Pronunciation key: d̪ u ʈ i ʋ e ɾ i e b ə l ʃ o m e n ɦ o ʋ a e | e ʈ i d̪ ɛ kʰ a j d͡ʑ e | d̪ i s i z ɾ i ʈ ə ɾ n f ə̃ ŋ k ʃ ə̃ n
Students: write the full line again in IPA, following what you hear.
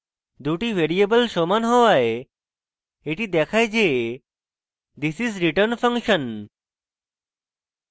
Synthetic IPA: d̪ u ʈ i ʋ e ɾ i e b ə l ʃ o m a n ɦ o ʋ a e | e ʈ i d̪ ɛ kʰ a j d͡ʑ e | d̪ i s i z ɾ i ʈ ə ɾ n f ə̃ ŋ k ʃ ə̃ n